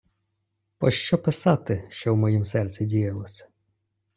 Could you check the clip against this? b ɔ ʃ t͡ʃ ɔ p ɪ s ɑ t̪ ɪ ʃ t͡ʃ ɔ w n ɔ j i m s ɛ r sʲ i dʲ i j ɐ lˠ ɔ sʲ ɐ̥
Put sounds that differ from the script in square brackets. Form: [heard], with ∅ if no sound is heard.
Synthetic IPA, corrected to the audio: [p] ɔ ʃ t͡ʃ ɔ p ɪ s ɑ t̪ ɪ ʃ t͡ʃ ɔ w [m] ɔ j i m s ɛ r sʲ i dʲ i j ɐ lˠ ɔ sʲ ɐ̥